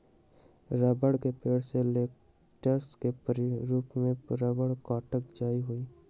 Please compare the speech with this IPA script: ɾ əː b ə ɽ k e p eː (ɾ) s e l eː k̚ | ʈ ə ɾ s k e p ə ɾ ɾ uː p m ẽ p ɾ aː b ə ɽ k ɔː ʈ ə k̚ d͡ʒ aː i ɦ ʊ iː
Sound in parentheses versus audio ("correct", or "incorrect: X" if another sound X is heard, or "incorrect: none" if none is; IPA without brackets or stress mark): incorrect: ɽ